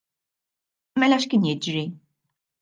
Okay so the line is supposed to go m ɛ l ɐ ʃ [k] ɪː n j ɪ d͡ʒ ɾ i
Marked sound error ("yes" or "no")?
no